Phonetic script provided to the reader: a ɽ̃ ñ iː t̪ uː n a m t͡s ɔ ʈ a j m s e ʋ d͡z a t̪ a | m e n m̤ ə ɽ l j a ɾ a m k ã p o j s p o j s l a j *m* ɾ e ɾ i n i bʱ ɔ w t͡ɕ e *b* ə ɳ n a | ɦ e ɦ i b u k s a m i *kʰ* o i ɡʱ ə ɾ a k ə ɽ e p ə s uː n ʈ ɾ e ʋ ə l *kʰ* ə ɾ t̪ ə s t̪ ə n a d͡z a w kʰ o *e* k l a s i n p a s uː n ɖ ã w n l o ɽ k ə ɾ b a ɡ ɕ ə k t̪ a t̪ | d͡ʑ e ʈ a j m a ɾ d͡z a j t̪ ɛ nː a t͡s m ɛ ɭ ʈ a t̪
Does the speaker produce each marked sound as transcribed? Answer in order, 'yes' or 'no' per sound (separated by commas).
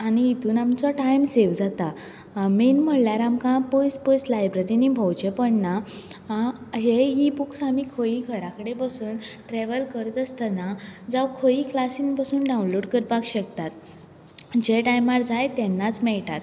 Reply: no, no, yes, no, no